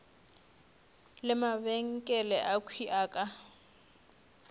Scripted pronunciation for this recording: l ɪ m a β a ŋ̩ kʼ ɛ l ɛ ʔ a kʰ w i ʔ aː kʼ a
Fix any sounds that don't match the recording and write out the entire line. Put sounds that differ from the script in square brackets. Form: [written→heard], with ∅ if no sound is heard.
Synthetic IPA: l ɪ m a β [a→ɛ] ŋ̩ kʼ ɛ l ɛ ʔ a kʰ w i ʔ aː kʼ a